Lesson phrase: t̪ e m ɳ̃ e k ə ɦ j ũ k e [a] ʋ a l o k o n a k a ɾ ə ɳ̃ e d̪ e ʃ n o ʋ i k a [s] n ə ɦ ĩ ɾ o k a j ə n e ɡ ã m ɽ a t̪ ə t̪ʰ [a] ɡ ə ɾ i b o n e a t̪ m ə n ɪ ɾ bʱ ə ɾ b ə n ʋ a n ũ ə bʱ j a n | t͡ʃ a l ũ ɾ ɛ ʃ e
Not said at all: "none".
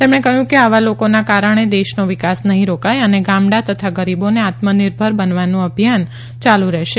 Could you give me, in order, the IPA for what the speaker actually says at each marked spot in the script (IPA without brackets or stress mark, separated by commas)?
a, s, a